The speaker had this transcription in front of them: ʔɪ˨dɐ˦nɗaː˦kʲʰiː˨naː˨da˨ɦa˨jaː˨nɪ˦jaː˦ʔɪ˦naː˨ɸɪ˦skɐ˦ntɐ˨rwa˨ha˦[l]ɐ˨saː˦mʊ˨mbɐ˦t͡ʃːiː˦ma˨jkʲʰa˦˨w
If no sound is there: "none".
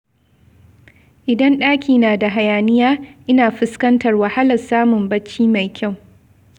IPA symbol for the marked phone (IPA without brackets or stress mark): l